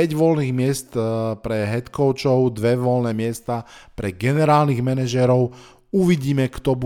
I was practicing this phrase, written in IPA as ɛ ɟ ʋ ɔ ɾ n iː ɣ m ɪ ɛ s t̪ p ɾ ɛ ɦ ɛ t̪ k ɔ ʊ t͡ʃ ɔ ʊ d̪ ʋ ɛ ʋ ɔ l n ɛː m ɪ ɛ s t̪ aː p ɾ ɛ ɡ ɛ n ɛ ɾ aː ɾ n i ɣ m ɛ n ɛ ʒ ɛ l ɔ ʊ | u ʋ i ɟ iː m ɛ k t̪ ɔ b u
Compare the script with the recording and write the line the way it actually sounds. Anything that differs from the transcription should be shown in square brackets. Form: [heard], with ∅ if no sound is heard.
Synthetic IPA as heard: ɛ ɟ ʋ ɔ [l] n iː ɣ m ɪ ɛ s t̪ p ɾ ɛ ɦ ɛ t̪ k ɔ ʊ t͡ʃ ɔ ʊ d̪ ʋ ɛ ʋ ɔ l n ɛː m ɪ ɛ s t̪ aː p ɾ ɛ ɡ ɛ n ɛ ɾ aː [l] n i ɣ m ɛ n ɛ ʒ ɛ [ɾ] ɔ ʊ | u ʋ i ɟ iː m ɛ k t̪ ɔ b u